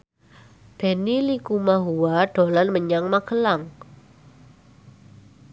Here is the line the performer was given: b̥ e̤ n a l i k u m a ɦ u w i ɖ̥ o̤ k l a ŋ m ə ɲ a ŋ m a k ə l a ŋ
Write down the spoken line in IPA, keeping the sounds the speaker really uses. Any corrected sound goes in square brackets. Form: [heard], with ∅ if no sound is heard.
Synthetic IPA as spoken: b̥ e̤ n [i] l i k u m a ɦ u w [a] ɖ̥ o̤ [∅] l a [n] m ə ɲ a ŋ m a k ə l a ŋ